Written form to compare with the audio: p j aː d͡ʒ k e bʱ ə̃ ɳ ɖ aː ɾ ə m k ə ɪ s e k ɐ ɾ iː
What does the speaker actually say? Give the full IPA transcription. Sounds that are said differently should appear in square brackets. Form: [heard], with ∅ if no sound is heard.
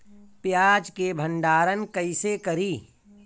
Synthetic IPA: p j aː d͡ʒ k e bʱ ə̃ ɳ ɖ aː ɾ ə [n] k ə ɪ s e k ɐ ɾ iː

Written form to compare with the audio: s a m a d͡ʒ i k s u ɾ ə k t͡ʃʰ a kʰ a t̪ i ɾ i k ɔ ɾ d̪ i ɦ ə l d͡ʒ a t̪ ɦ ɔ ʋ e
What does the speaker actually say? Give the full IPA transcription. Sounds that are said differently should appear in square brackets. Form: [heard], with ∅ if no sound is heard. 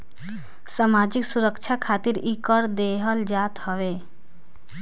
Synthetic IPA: s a m a d͡ʒ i k s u ɾ ə k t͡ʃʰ a kʰ a t̪ i ɾ i k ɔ ɾ d̪ [e] ɦ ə l d͡ʒ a t̪ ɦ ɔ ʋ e

